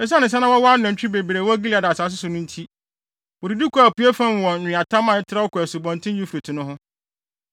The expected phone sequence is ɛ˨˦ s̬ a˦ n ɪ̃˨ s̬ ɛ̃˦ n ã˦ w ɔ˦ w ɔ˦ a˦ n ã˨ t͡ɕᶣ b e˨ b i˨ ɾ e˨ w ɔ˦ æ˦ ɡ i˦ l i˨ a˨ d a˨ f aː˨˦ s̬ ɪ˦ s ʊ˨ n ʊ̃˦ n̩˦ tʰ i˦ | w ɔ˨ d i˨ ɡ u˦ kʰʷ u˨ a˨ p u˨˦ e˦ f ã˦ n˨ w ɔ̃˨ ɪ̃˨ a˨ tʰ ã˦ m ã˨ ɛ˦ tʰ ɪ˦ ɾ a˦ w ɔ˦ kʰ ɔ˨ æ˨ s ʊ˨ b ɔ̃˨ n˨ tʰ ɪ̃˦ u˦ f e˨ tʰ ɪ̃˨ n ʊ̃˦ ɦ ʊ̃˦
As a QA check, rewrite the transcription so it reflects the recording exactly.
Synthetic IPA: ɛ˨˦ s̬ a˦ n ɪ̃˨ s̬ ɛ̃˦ n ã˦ w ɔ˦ w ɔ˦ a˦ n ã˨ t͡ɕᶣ b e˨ b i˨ ɾ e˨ w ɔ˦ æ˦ ɡ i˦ l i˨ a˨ d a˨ s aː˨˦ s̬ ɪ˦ s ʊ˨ n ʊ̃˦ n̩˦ tʰ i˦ | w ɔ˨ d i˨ d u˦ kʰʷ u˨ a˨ p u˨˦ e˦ f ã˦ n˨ w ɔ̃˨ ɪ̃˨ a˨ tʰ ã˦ m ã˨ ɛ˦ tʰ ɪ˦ ɾ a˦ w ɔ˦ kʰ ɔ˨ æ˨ s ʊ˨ b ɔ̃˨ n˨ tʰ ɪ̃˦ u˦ f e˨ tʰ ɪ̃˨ n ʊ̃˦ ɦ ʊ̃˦